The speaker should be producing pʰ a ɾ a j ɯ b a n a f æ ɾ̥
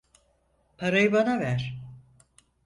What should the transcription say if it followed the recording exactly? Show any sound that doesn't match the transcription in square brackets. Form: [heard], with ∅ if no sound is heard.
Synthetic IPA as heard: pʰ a ɾ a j ɯ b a n a [v] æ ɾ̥